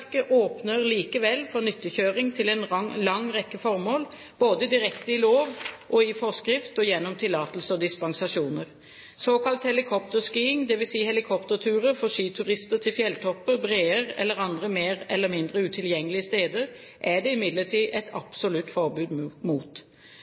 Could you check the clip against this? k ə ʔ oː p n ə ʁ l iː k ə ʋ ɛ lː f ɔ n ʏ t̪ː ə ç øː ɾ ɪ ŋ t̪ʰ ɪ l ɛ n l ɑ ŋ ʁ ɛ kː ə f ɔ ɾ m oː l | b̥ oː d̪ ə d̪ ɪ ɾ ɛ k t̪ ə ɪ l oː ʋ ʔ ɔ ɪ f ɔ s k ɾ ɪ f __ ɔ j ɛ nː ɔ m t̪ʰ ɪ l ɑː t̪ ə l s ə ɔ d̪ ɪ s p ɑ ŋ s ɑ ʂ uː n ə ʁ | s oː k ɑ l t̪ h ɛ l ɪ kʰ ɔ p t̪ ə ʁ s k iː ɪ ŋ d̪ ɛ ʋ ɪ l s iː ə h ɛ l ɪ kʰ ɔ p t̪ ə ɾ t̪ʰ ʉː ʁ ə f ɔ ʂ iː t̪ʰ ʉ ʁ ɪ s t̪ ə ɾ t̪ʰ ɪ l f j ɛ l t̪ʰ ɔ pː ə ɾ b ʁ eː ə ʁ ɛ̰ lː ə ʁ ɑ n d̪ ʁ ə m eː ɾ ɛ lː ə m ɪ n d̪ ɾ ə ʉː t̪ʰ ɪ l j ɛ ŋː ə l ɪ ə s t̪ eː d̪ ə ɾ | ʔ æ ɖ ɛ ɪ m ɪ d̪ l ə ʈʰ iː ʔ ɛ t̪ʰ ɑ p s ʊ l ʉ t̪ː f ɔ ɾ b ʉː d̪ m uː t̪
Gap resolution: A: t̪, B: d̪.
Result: A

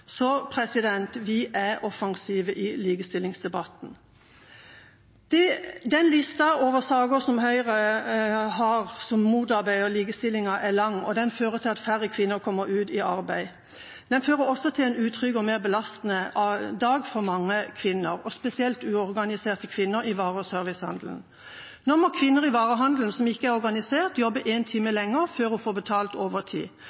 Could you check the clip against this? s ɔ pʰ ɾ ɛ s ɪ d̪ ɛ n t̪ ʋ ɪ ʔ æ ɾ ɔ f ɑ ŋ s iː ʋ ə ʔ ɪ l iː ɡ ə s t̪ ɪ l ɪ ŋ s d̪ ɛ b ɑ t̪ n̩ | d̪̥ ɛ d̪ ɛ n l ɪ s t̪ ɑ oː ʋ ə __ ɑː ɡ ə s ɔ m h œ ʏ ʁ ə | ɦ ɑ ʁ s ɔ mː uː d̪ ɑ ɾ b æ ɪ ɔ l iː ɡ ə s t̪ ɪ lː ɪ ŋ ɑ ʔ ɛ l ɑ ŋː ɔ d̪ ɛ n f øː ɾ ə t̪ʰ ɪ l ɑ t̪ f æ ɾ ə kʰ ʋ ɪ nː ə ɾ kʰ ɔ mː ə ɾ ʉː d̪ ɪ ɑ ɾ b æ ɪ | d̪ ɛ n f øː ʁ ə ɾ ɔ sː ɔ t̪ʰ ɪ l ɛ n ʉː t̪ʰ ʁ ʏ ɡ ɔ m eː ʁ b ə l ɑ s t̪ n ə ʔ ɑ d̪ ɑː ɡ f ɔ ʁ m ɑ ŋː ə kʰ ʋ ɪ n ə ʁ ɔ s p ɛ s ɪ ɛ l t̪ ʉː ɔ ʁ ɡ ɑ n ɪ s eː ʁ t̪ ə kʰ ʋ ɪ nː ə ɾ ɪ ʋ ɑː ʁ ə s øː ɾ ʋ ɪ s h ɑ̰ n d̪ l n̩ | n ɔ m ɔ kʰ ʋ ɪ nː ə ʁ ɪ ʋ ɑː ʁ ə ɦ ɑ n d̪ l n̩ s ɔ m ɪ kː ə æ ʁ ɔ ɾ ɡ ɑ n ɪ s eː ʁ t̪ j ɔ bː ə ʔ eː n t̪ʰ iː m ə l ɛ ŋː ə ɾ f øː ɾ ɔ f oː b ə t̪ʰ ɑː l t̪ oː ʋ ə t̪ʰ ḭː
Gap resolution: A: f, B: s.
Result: B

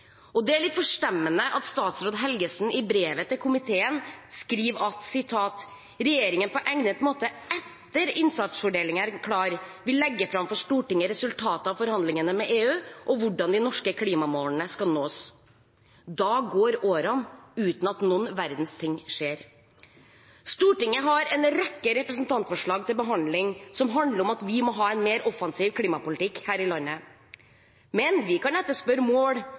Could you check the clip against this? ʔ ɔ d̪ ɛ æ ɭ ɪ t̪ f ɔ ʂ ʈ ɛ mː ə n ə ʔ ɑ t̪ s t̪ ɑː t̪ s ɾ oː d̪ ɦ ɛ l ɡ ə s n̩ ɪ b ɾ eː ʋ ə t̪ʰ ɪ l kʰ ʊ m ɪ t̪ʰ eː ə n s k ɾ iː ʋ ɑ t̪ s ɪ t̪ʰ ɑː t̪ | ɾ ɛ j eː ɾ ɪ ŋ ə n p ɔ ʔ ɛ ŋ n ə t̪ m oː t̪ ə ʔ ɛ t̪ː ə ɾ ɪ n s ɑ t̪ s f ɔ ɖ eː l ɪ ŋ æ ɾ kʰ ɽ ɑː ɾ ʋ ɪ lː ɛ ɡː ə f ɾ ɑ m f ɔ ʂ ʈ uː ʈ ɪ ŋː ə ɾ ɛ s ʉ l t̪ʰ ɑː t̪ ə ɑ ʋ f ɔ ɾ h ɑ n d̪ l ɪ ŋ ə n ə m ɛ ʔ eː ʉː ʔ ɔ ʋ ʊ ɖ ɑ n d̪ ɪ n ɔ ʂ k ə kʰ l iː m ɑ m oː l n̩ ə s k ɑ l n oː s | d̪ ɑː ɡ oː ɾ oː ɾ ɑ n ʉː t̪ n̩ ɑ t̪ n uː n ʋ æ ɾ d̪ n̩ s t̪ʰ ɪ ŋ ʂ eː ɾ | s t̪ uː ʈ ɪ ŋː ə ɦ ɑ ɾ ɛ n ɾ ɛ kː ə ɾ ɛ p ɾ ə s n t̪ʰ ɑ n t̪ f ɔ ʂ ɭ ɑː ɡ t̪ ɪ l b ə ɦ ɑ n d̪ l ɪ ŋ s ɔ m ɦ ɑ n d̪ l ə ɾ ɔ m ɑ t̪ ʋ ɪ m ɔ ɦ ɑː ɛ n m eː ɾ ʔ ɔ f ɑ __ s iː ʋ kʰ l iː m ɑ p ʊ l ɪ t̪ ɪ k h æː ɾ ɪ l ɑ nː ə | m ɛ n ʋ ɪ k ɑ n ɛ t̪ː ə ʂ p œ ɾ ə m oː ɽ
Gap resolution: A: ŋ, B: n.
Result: B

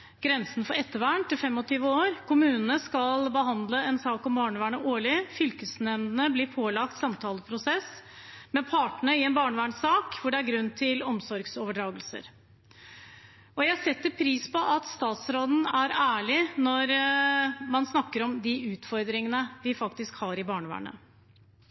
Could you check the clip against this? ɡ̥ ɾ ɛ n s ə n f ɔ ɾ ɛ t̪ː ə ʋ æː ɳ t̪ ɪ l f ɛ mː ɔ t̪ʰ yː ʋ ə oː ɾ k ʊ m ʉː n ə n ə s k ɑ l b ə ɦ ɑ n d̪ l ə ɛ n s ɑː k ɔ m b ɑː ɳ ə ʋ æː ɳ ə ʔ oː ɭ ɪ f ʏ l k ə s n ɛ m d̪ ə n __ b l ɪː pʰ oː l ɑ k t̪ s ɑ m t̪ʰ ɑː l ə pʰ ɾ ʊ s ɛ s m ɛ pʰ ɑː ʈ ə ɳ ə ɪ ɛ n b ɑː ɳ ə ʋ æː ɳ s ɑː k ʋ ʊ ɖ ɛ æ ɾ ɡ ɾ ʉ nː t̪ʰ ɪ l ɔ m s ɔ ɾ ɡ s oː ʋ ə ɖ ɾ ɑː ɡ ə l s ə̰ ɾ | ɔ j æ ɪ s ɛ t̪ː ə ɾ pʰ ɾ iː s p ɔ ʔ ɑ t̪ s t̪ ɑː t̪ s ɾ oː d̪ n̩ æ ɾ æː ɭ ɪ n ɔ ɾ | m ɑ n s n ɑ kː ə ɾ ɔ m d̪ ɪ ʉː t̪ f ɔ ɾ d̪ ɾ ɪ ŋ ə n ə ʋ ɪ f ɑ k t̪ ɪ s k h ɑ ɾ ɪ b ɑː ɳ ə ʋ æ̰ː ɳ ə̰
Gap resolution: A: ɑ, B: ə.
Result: B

